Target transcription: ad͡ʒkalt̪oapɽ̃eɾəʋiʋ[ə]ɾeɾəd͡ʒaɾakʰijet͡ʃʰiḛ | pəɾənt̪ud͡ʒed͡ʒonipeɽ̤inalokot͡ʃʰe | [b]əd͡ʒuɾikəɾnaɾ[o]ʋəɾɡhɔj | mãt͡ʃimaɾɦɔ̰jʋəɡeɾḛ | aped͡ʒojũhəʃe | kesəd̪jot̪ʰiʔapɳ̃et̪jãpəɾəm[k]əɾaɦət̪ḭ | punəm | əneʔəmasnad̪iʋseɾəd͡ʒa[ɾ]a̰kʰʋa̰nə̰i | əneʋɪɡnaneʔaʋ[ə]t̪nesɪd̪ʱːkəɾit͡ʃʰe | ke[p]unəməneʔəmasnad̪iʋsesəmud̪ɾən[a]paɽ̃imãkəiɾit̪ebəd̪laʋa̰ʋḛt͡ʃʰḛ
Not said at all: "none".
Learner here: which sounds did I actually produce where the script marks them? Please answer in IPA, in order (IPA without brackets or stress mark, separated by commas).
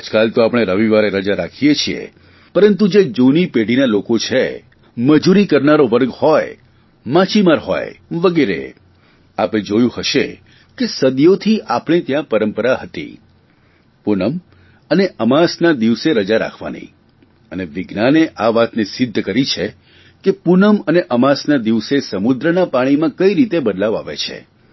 a, m, o, p, ɾ, a, p, a